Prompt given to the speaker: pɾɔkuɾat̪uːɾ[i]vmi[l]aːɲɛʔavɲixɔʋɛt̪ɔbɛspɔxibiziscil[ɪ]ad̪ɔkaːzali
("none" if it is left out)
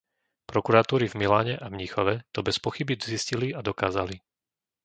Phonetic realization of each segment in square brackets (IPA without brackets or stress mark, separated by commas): i, l, i